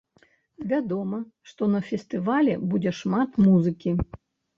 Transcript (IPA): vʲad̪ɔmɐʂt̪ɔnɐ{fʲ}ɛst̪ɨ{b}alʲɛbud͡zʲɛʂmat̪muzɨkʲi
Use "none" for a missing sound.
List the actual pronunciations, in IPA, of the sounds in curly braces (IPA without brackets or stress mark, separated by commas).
fʲ, v